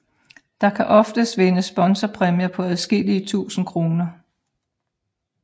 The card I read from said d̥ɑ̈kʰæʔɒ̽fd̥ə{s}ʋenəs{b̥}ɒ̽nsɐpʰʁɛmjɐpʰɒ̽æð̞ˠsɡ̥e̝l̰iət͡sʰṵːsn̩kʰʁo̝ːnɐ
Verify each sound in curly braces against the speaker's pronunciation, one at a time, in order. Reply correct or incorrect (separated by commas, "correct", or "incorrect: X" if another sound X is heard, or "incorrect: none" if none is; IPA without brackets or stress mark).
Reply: correct, correct